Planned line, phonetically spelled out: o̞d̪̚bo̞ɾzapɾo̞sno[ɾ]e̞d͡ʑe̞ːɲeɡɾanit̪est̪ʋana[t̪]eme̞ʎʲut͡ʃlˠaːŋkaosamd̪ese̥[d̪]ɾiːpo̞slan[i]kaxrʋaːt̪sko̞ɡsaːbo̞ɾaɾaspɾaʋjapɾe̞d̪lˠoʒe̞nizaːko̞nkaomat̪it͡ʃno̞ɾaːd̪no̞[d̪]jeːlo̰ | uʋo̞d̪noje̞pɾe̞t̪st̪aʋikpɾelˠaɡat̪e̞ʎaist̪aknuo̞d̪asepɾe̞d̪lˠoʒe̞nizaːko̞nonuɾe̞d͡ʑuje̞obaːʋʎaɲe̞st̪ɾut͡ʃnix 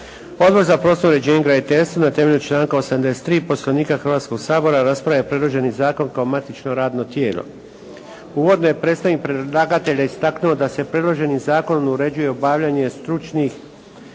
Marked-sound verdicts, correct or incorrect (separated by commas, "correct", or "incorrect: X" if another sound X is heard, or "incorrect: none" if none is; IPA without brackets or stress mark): correct, correct, incorrect: t̪, incorrect: iː, incorrect: t̪